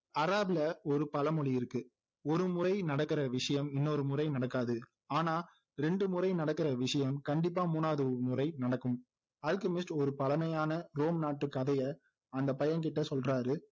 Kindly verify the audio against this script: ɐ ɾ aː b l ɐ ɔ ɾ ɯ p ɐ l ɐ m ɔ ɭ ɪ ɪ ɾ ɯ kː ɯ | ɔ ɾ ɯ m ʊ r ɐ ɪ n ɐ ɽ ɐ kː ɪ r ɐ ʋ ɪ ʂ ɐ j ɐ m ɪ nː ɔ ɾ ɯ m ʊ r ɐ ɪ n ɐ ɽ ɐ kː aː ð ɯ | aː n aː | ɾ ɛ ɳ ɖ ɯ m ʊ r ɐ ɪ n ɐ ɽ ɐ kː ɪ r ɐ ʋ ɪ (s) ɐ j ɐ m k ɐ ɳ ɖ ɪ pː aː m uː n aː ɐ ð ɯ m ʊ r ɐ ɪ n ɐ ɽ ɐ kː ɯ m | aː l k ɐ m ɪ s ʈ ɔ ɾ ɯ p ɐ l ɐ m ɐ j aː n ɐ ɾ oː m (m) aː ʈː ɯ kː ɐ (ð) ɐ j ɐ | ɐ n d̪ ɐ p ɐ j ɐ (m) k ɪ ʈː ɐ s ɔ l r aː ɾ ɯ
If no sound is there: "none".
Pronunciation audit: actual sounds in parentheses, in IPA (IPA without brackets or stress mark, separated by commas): ʂ, n, ð, n